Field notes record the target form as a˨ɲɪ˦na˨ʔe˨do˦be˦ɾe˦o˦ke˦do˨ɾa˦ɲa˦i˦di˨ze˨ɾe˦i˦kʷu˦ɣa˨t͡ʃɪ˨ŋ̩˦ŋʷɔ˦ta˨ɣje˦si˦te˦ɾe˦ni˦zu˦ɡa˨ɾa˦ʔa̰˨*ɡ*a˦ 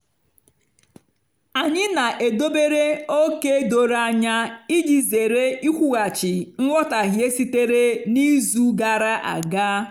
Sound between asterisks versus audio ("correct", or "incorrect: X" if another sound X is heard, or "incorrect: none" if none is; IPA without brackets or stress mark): correct